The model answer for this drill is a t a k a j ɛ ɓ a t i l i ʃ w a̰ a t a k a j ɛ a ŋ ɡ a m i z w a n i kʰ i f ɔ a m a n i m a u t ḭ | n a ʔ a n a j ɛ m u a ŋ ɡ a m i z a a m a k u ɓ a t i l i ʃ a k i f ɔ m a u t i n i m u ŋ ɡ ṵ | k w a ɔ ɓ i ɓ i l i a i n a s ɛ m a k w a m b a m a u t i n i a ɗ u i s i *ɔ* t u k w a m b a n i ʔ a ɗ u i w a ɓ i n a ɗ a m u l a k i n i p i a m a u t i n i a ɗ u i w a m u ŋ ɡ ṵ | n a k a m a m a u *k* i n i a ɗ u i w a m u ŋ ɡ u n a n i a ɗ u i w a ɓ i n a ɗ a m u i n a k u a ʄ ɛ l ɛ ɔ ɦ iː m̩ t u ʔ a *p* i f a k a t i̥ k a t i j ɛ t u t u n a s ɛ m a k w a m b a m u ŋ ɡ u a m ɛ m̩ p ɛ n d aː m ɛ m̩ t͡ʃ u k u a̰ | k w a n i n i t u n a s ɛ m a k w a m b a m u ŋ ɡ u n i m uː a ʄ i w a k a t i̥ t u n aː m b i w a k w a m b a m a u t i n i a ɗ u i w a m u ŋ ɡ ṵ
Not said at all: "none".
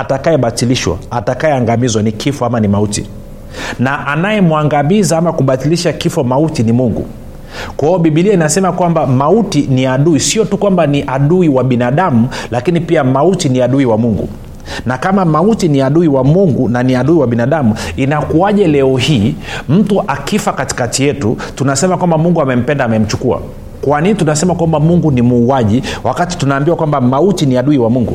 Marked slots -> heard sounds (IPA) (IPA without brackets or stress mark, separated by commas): ɔ, t, k